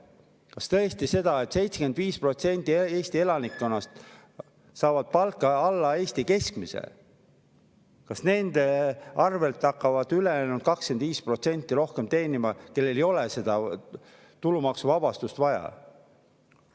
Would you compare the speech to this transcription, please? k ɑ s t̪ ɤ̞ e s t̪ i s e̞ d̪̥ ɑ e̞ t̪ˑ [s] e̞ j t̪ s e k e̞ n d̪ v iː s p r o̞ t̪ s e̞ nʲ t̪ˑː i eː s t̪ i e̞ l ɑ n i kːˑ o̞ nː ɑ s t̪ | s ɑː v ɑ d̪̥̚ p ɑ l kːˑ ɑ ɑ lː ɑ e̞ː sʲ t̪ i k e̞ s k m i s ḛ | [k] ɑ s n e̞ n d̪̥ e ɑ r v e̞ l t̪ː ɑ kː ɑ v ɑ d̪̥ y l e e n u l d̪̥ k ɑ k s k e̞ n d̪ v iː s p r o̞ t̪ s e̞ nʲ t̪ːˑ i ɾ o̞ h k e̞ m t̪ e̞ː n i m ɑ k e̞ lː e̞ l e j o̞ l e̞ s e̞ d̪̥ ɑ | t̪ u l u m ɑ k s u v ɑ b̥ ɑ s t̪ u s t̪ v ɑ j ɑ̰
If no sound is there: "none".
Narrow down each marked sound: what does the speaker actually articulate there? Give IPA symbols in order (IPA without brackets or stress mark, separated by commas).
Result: s, k